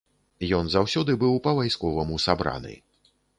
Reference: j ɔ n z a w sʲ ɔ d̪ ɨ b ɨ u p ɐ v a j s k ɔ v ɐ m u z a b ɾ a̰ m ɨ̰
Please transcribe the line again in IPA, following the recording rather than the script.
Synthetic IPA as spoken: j ɔ n z a w sʲ ɔ d̪ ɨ b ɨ w p ɐ v a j s k ɔ v ɐ m u s a b ɾ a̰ n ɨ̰